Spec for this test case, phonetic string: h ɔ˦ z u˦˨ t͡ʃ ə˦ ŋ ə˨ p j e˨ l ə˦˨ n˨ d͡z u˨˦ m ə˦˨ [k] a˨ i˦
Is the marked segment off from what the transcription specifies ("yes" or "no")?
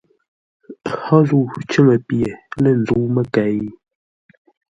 no